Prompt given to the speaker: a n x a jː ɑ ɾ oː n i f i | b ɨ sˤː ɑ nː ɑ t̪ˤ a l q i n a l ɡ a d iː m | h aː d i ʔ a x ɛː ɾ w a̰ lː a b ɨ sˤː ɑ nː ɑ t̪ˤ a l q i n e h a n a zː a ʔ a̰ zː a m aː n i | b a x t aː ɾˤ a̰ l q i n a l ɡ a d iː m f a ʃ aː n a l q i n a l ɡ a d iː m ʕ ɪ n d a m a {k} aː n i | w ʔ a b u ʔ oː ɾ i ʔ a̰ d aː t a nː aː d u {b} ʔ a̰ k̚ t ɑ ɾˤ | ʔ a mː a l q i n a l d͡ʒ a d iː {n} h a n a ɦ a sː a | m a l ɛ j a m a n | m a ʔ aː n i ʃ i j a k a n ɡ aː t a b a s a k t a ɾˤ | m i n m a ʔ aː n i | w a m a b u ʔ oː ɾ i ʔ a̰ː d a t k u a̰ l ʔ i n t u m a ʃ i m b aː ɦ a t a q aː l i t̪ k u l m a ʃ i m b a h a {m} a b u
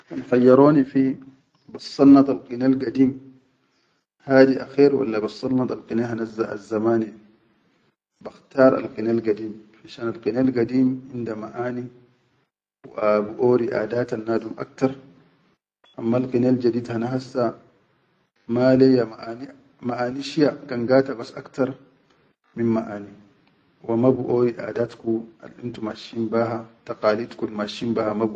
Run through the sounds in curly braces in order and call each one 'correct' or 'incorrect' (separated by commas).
incorrect, incorrect, incorrect, correct